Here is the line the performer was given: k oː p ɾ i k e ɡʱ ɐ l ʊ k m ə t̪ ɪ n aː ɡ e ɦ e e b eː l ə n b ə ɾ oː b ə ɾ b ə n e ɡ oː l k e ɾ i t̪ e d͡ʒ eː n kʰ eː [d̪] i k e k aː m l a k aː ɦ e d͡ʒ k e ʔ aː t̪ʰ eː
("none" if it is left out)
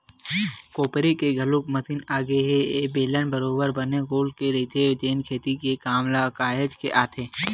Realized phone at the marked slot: t̪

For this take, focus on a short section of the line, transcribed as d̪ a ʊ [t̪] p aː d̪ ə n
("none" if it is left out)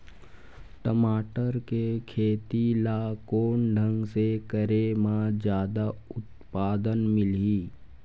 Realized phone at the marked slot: t̪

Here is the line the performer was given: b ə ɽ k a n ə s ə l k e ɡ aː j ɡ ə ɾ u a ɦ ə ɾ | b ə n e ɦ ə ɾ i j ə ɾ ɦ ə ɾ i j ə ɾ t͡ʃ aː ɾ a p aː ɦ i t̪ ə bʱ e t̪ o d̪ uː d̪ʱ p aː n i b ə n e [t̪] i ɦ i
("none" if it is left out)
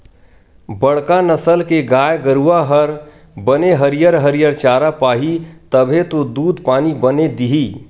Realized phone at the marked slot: d̪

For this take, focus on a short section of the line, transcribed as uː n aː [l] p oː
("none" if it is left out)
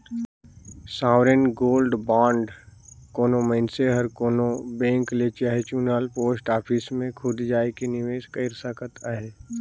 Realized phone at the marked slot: l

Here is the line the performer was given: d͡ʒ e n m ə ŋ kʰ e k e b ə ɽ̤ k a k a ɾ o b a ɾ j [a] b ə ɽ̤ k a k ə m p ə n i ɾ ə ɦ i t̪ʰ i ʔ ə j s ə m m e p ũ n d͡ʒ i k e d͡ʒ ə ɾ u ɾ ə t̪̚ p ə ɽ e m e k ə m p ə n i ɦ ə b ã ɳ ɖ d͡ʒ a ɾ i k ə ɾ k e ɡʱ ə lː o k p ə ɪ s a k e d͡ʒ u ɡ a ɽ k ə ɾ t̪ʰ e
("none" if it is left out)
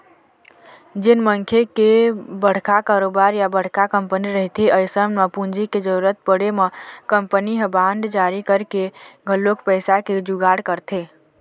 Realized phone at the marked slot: a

